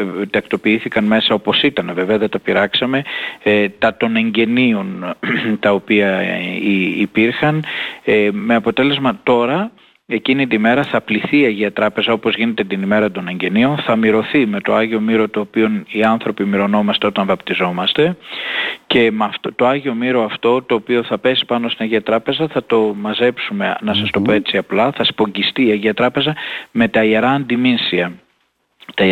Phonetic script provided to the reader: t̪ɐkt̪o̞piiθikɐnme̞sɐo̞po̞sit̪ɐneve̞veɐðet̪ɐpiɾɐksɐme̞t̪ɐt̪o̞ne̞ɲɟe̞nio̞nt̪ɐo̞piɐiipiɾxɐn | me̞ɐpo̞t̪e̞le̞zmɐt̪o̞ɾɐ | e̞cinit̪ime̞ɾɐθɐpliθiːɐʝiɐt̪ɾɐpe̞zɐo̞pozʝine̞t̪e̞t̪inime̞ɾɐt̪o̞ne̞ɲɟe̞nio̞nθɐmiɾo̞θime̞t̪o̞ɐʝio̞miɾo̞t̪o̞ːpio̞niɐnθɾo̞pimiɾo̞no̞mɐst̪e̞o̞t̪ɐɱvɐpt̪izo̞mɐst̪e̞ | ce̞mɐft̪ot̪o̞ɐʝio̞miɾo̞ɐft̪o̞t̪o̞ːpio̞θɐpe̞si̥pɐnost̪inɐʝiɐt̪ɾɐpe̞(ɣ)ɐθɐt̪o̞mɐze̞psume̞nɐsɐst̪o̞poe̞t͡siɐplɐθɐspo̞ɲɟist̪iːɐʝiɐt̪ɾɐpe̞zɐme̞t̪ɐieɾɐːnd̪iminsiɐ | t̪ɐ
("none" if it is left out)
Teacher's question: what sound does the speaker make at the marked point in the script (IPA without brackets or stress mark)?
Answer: z